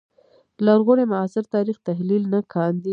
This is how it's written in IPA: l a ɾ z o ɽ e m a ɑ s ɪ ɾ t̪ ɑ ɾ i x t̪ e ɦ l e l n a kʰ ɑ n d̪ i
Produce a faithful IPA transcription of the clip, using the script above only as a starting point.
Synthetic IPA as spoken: l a ɾ ɣ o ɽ e m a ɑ s ɪ ɾ t̪ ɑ ɾ i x t̪ a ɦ l i l n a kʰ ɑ n d̪ i